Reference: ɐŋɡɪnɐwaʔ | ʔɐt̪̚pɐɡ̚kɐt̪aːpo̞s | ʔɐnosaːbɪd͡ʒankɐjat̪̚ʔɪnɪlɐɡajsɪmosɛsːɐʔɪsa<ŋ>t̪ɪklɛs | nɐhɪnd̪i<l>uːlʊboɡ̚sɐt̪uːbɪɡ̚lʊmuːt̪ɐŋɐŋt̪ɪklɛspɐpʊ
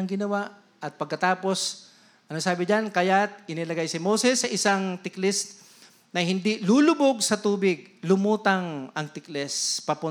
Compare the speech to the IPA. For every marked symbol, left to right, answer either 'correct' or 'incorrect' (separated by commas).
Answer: correct, correct